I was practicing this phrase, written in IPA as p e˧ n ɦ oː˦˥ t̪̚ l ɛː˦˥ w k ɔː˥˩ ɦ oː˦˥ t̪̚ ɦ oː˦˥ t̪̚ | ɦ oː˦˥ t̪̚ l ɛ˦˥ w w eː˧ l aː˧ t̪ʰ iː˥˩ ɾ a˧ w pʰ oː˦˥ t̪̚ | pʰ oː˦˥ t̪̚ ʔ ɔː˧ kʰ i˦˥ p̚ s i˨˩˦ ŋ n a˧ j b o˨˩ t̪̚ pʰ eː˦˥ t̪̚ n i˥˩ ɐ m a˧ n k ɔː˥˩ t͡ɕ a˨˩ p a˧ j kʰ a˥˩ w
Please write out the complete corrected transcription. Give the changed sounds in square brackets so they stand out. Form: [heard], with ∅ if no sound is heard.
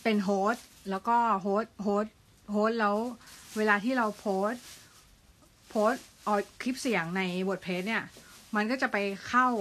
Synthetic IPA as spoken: p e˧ n ɦ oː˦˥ t̪̚ l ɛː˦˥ w k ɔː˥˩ ɦ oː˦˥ t̪̚ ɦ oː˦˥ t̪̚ | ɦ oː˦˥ t̪̚ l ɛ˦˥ w w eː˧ l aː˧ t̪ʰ iː˥˩ ɾ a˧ w pʰ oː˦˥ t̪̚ | pʰ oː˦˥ t̪̚ ʔ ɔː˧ kʰ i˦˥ p̚ s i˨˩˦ ŋ n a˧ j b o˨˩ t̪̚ pʰ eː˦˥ t̪̚ n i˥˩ ɐ m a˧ n k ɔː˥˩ t͡ɕ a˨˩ p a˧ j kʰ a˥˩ w